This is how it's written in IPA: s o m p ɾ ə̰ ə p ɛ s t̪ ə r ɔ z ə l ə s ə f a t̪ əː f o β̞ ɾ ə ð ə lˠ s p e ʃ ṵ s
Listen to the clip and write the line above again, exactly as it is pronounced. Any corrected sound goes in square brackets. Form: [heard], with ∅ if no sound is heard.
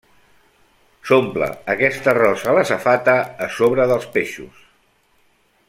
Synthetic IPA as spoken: s o m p [l] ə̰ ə [k] ɛ s t̪ ə r ɔ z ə l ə s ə f a t̪ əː [s] o β̞ ɾ ə ð ə lˠ s p e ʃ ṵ s